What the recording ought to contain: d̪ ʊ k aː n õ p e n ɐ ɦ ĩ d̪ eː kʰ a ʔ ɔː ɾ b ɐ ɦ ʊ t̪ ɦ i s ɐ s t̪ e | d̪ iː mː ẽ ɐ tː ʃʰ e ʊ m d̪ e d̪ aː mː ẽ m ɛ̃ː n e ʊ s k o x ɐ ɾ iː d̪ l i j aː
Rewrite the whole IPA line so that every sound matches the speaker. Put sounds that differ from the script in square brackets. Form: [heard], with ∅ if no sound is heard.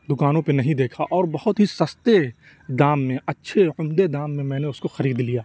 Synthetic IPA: d̪ ʊ k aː n õ p e n ɐ ɦ ĩ d̪ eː kʰ a ʔ ɔː ɾ b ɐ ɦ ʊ t̪ ɦ i s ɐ s t̪ e | d̪ [aː] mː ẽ ɐ tː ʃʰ e ʊ m d̪ e d̪ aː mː ẽ m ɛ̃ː n e ʊ s k o x ɐ ɾ iː d̪ l i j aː

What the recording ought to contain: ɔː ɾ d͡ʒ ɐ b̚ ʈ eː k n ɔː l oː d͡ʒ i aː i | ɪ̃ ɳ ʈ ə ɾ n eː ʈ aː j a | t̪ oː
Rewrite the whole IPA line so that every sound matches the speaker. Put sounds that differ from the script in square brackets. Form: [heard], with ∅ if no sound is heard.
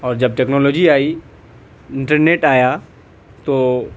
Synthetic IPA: ɔː ɾ d͡ʒ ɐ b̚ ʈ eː k n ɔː l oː d͡ʒ i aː i | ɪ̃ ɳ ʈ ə ɾ n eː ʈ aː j a | t̪ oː

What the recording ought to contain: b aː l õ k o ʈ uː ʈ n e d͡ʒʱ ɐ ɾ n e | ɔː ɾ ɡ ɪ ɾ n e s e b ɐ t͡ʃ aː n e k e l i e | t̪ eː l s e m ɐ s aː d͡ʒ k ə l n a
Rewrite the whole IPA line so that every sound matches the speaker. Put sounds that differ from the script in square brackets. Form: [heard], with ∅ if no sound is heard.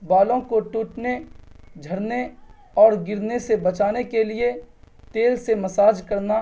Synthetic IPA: b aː l õ k o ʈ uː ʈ n e d͡ʒʱ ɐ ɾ n e | ɔː ɾ ɡ ɪ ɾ n e s e b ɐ t͡ʃ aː n e k e l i e | t̪ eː l s e m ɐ s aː d͡ʒ k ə [ɾ] n a

